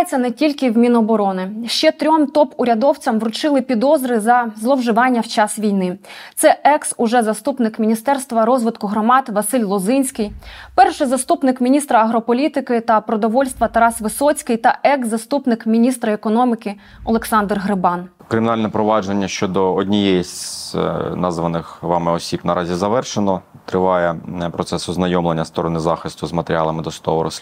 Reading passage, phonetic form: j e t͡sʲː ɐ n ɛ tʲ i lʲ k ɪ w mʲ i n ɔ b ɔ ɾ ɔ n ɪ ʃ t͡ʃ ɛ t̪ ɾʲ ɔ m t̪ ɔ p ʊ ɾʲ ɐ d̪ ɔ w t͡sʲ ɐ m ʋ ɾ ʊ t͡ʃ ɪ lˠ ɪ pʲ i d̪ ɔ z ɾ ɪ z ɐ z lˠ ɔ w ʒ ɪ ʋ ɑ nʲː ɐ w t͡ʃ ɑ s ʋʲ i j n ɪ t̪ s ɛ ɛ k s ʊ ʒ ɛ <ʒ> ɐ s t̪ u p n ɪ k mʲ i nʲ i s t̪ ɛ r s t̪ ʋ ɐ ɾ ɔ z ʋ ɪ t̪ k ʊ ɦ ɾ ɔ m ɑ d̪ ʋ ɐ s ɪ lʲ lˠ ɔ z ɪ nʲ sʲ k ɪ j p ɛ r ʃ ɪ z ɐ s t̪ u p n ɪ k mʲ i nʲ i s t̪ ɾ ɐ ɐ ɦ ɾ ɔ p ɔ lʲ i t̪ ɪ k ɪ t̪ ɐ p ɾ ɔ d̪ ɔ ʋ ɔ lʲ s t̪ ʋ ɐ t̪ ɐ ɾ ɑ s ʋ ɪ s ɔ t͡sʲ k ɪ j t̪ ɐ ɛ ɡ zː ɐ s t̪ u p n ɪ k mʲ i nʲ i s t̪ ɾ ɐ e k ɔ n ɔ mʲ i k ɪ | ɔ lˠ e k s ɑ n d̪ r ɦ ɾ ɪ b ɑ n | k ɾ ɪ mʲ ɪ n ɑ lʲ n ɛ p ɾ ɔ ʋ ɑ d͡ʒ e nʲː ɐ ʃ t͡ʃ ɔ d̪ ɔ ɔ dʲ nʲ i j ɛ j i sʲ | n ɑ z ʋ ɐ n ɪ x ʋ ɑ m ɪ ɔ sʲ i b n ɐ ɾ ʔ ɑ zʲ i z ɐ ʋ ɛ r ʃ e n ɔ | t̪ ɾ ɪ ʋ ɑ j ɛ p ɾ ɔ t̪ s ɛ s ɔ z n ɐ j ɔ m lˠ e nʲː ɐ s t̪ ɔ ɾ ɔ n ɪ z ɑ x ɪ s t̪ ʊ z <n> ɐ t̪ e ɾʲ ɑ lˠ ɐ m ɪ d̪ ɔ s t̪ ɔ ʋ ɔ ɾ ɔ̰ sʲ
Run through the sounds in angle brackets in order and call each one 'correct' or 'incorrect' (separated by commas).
incorrect, incorrect